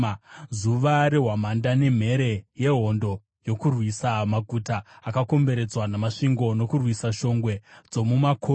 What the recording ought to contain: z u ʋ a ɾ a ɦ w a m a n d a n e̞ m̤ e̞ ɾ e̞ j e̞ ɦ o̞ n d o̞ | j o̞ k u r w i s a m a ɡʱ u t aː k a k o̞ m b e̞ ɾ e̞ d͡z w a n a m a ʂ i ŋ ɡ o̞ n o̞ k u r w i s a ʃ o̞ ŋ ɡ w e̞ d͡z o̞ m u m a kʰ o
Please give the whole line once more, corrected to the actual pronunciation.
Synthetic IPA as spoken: z u ʋ a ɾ e ɦ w a m a n d a n e̞ m̤ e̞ ɾ e̞ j e̞ ɦ o̞ n d o̞ | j o̞ k u r w i s a m a ɡʱ u t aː k a k o̞ m b e̞ ɾ e̞ d͡z w a n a m a ʂ i ŋ ɡ o̞ n o̞ k u r w i s a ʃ o̞ ŋ ɡ w e̞ d͡z o̞ m u m a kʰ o